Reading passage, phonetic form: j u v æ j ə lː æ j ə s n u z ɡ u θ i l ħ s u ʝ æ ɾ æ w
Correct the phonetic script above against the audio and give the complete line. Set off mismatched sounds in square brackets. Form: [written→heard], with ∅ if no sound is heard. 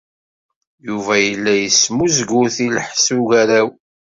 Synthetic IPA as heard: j u v æ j ə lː æ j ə s [n→m] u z ɡ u θ i l ħ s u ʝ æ ɾ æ w